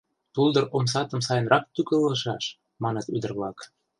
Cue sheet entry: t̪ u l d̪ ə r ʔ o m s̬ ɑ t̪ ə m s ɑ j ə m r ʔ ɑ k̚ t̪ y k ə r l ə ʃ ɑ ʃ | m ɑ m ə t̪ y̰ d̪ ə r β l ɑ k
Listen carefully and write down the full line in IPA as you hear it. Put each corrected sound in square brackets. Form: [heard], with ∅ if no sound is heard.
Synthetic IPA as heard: t̪ u l d̪ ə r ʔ o m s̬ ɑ t̪ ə m s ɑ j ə [n] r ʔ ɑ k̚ t̪ y k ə [∅] l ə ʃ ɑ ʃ | m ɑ [n] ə t̪ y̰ d̪ ə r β l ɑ k